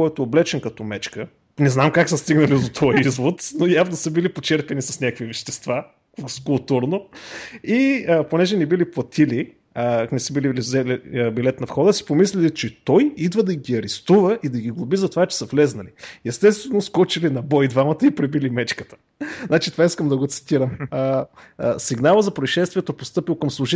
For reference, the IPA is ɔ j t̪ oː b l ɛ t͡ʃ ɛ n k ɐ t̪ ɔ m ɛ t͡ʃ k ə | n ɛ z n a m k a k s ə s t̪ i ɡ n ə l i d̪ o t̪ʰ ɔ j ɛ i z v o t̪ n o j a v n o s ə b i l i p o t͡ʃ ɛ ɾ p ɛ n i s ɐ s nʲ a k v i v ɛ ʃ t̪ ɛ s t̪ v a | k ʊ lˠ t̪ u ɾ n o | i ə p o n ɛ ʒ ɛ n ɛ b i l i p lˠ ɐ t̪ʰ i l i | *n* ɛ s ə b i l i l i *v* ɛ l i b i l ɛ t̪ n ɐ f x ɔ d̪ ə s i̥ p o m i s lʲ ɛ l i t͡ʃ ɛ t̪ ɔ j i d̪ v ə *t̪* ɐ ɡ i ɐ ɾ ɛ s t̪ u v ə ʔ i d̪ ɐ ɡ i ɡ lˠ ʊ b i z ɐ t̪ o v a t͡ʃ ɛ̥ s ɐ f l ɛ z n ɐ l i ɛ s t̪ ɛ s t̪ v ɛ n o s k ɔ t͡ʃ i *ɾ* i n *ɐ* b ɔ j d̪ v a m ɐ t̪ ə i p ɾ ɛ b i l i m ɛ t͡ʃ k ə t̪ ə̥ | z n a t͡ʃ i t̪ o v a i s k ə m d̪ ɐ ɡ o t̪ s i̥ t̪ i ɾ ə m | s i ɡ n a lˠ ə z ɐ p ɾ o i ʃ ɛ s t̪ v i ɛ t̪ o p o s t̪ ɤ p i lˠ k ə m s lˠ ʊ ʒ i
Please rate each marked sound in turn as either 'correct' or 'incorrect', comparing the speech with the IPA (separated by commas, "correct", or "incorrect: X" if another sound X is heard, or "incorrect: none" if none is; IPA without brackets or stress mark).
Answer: correct, incorrect: z, incorrect: d̪, incorrect: l, correct